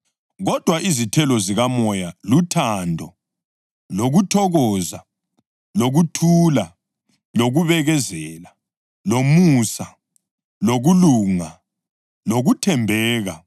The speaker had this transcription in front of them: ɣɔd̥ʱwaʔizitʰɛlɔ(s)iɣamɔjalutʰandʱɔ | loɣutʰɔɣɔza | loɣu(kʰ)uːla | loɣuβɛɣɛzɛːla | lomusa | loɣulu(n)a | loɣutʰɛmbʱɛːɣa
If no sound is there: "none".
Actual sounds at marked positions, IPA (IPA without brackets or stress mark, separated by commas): z, tʰ, ŋ